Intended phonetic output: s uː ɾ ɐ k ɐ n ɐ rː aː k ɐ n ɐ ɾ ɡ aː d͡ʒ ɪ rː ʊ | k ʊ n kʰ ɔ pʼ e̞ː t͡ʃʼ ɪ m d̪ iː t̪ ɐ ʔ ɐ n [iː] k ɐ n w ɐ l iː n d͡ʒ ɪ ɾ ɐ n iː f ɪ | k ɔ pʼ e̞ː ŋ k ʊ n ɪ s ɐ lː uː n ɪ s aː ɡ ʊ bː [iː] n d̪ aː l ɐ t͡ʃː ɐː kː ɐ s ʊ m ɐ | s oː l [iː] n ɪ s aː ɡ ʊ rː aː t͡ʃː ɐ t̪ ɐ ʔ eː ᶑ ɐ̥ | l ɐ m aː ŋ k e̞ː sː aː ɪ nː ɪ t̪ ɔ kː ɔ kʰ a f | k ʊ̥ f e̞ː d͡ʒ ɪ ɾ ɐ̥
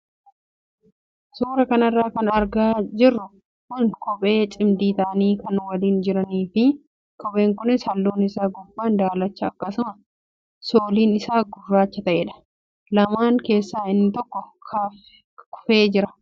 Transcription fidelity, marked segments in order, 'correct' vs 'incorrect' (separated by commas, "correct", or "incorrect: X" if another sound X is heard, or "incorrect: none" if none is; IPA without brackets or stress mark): correct, incorrect: aː, correct